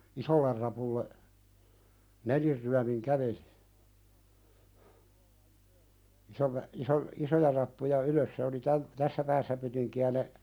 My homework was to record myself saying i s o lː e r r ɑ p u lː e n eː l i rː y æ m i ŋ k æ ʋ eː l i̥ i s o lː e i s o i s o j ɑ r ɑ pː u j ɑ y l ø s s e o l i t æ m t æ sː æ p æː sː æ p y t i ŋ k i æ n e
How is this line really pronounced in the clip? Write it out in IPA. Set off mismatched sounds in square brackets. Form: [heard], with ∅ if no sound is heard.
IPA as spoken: i s o lː e r r ɑ p u lː e n [e] l i rː y æ m i ŋ k æ ʋ [e] l i̥ i s o lː e i s o i s o j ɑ r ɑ pː u j ɑ y l ø s s e o l i t æ m t æ sː æ p æː sː æ p y t i ŋ k i æ n e